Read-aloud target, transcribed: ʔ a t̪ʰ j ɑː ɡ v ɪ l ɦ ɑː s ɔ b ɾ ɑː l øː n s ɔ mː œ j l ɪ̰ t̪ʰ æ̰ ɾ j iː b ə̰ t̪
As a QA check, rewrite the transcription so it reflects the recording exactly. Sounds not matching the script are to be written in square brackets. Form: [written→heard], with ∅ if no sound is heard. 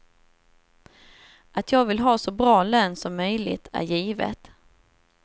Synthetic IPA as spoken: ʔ a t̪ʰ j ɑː ɡ v ɪ l ɦ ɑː s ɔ b ɾ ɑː l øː n s ɔ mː œ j l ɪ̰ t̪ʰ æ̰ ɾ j iː [b→v] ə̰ t̪